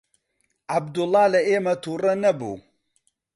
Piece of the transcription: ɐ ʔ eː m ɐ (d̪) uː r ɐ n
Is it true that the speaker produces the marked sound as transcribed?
no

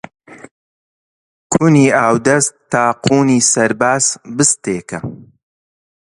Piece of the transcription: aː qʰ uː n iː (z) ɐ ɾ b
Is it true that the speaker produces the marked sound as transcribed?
no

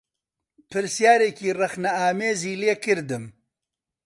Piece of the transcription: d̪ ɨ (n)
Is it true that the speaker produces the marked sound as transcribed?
no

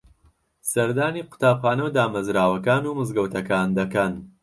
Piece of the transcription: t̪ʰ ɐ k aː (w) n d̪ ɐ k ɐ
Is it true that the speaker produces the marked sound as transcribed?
no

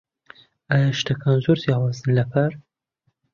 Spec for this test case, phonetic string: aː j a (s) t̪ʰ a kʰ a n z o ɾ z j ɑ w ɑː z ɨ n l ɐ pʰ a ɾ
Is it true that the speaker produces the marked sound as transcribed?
no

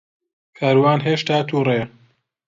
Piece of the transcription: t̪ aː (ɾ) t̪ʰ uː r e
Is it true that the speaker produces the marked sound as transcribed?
no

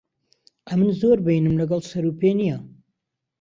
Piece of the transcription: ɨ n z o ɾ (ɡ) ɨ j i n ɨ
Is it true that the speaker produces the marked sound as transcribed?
no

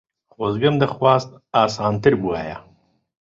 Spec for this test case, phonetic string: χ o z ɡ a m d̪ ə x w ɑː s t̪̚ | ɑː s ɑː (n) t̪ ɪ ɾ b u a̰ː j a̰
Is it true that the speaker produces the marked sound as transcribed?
yes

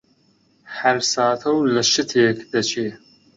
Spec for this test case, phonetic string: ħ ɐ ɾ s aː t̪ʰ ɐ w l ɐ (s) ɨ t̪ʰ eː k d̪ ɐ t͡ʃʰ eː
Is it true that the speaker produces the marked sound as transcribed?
no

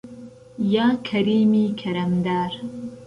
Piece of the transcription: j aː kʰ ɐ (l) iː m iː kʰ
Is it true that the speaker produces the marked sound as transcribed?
no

